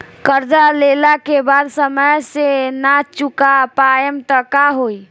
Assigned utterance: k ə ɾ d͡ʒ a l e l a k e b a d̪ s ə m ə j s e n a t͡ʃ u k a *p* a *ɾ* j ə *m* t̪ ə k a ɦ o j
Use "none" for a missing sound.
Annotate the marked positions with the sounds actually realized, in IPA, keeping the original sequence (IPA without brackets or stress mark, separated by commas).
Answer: p, none, m